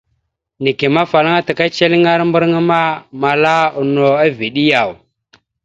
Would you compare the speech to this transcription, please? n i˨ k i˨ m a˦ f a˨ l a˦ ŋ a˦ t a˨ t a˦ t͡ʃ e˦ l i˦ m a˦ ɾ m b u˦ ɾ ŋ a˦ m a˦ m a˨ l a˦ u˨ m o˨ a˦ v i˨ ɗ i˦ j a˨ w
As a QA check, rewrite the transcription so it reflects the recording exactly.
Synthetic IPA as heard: n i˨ k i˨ m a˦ f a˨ l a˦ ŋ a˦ t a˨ k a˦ t͡ʃ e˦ l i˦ ŋ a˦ ɾ m b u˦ ɾ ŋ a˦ m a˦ m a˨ l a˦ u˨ n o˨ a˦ v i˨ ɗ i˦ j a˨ w